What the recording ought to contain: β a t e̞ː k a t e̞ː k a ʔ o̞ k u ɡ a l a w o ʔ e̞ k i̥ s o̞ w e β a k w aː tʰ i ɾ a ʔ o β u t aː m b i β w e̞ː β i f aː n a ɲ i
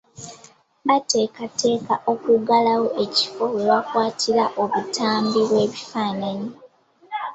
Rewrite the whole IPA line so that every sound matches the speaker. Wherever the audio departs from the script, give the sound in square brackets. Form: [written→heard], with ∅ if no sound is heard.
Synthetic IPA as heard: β a t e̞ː k a t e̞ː k a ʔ o̞ k u ɡ a l a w o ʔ e̞ [k→c] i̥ [s→f] o̞ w e β a k w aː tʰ i ɾ a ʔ o β u t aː m b i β w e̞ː β i f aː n a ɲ i